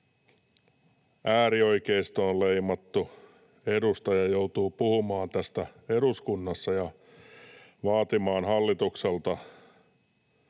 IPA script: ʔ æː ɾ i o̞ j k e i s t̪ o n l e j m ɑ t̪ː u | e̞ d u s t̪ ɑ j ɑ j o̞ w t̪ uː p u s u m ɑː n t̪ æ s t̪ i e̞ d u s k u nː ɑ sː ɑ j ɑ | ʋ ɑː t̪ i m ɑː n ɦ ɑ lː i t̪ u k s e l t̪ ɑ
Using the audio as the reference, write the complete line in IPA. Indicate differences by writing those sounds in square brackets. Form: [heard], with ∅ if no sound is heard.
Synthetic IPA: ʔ æː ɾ i o̞ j k e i s t̪ o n l e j m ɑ t̪ː u | e̞ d u s t̪ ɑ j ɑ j o̞ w t̪ uː p u [h] u m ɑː n t̪ æ s t̪ [æ] e̞ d u s k u nː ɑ sː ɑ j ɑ | ʋ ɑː t̪ i m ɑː n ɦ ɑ lː i t̪ u k s e l t̪ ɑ

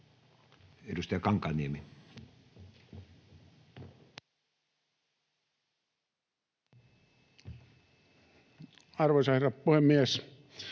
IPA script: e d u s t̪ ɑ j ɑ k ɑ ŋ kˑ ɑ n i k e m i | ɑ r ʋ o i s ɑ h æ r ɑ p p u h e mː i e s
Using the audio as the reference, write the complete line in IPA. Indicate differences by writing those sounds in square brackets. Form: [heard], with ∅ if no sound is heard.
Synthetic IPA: e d u s t̪ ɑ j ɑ k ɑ ŋ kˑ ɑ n i [∅] e m i | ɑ r ʋ o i s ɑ h [e] r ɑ p p u h e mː i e s

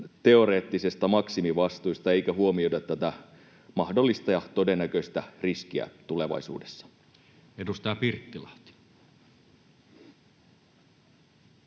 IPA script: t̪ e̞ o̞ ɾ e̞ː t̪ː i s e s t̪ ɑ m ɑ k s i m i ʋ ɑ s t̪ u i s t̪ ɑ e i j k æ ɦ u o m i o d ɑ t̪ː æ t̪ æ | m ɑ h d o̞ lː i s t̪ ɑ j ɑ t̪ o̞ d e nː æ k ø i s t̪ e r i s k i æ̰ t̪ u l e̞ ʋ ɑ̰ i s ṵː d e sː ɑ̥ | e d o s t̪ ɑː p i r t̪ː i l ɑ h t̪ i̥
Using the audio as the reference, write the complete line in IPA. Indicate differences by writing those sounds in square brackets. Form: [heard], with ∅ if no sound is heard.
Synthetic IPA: t̪ e̞ o̞ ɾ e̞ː t̪ː i s e s t̪ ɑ m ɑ k s i m i ʋ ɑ s t̪ u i s t̪ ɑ e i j k æ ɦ u o m i o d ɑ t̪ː æ t̪ æ | m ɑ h d o̞ lː i s t̪ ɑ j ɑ t̪ o̞ d e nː æ k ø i s t̪ [æ] r i s k i æ̰ t̪ u l e̞ ʋ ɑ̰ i s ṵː d e sː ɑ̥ | e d [u] s t̪ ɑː p i r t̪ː i l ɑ h t̪ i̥

